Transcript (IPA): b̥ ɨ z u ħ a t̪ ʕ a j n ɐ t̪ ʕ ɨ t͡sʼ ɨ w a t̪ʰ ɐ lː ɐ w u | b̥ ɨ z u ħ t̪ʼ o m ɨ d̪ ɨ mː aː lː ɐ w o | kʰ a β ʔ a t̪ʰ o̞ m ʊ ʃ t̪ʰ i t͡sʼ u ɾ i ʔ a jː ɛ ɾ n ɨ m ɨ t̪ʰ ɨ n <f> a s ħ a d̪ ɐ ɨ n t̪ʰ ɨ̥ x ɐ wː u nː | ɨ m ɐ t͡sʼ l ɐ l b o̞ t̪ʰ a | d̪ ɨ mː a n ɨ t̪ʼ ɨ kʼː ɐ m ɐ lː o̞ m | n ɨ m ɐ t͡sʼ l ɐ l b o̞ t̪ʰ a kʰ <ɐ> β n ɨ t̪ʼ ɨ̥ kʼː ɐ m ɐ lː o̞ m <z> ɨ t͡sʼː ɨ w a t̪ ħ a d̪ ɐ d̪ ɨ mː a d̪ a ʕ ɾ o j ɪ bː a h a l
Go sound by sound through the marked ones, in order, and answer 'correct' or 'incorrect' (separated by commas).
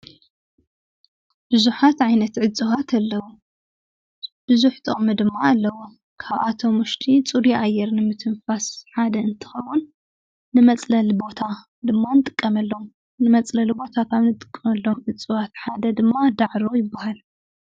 correct, incorrect, incorrect